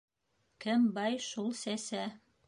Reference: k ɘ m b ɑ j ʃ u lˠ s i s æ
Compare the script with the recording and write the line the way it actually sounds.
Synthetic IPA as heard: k ɘ m b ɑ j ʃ u lˠ s æ s æ